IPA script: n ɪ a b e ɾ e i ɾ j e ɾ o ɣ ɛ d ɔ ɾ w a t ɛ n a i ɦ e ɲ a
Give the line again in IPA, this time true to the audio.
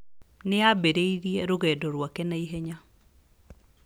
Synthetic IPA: n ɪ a b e ɾ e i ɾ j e ɾ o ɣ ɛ d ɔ ɾ w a k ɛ n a i ɦ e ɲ a